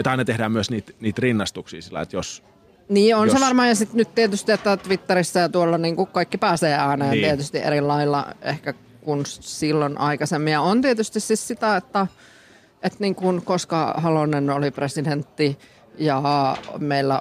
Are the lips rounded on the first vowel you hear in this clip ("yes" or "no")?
no